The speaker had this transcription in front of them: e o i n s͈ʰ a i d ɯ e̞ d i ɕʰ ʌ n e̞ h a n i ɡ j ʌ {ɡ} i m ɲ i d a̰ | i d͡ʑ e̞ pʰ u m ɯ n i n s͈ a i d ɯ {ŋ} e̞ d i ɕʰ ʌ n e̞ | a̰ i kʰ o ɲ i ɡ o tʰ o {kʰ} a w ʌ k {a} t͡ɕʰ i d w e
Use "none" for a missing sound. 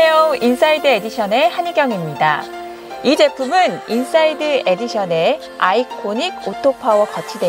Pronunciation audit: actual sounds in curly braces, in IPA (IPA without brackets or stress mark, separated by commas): ŋ, none, pʰ, ʌ